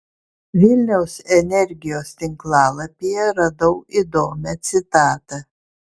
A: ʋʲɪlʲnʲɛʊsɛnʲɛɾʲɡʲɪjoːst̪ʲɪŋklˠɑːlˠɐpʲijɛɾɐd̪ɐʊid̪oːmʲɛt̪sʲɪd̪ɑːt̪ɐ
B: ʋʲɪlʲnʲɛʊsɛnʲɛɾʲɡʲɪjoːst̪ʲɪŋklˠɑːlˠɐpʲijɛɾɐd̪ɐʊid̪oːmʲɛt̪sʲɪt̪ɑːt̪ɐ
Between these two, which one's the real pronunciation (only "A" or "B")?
B